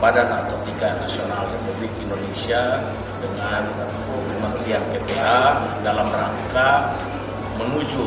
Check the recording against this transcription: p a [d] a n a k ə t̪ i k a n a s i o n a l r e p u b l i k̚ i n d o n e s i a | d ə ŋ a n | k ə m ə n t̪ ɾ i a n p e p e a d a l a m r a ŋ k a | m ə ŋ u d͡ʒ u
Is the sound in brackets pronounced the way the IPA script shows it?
yes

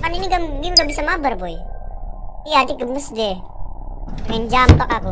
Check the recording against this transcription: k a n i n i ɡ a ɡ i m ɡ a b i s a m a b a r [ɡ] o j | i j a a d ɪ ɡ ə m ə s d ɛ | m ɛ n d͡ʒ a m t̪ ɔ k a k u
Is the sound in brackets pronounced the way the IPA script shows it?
no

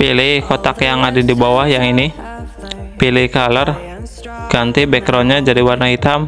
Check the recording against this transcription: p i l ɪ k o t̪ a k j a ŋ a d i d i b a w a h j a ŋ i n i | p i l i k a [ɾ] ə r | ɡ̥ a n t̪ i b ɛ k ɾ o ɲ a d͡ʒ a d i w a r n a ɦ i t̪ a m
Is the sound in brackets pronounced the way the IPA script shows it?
no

